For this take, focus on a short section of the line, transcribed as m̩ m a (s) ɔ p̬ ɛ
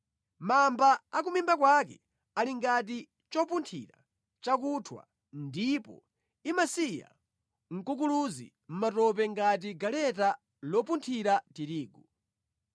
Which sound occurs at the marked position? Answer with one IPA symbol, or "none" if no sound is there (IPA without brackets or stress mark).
t